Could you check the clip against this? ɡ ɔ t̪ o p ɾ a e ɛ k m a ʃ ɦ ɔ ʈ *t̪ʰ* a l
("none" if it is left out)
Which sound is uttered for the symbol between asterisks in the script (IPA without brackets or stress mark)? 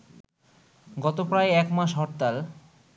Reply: t̪